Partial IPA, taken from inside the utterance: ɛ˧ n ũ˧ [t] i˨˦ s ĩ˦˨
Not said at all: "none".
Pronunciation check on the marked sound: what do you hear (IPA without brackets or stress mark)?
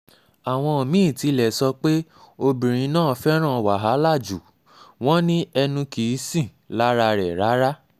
k